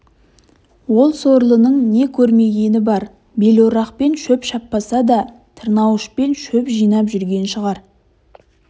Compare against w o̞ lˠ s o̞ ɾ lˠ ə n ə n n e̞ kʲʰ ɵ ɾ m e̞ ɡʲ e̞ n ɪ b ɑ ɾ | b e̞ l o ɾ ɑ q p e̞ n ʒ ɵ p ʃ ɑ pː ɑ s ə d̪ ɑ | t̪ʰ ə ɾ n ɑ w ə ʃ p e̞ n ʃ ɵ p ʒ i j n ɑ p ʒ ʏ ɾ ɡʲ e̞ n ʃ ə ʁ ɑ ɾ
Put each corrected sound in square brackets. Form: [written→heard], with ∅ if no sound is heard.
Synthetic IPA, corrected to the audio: w o̞ lˠ s o̞ ɾ lˠ ə n ə [n→ɴ] n e̞ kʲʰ ɵ ɾ m e̞ ɡʲ e̞ n ɪ b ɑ ɾ | b e̞ l o ɾ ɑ q p e̞ n [ʒ→ʃ] ɵ p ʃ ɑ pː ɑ s [ə→ɑ] d̪ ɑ | t̪ʰ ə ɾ n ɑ w ə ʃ p e̞ n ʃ ɵ p ʒ i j n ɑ p ʒ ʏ ɾ ɡʲ e̞ n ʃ ə ʁ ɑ ɾ